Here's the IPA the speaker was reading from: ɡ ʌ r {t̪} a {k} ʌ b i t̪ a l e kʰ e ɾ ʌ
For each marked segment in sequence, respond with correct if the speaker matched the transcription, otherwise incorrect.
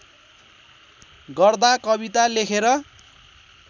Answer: incorrect: d̪, correct

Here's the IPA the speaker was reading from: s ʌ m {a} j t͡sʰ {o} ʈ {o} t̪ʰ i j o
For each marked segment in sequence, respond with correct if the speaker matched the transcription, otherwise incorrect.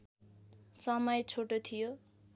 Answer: incorrect: ʌ, correct, correct

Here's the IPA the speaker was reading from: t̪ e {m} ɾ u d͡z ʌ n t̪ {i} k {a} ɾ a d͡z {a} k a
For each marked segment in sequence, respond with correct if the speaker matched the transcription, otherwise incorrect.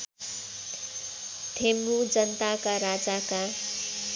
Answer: correct, incorrect: a, correct, correct

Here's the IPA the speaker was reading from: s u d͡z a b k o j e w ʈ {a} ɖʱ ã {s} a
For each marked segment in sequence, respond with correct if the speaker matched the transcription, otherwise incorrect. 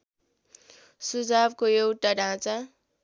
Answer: correct, incorrect: t͡s

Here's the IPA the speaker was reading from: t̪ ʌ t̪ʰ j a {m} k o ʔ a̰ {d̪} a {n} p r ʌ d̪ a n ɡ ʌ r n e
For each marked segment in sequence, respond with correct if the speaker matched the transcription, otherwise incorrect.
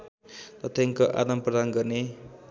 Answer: incorrect: ŋ, correct, incorrect: m

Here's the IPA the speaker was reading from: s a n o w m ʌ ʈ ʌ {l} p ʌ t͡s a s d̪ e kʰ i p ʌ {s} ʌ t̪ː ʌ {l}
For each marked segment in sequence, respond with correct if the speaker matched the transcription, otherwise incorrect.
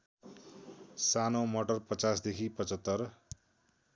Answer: incorrect: r, incorrect: t͡s, incorrect: r

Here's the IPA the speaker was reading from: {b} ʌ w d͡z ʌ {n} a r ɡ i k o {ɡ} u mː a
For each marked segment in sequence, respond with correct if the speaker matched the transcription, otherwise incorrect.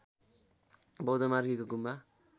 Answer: correct, incorrect: m, correct

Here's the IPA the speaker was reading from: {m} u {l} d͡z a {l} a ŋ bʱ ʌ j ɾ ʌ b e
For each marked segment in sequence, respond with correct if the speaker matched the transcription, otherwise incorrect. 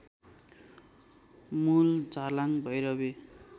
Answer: correct, correct, correct

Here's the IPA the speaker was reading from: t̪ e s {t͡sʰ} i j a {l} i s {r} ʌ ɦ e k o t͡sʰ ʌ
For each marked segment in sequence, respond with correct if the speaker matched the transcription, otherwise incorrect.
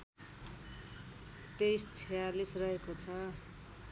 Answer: correct, correct, correct

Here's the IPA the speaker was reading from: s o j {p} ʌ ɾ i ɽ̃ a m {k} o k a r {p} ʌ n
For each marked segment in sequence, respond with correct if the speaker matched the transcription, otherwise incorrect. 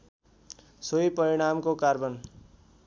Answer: correct, correct, incorrect: b

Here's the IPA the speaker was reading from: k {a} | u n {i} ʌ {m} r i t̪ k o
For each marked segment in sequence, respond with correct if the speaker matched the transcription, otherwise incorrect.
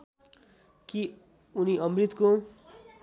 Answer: incorrect: i, correct, correct

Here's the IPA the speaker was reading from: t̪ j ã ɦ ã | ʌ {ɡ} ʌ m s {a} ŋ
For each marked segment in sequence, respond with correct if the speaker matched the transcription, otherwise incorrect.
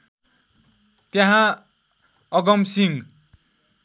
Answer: correct, incorrect: i

